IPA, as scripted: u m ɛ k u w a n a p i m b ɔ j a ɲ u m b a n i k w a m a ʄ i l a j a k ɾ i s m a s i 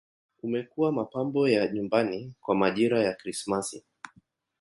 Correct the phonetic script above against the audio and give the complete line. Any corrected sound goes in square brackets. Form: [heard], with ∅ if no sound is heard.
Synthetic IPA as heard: u m ɛ k u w a [m] a p [a] m b ɔ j a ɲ u m b a n i k w a m a ʄ i [ɾ] a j a k ɾ i s m a s i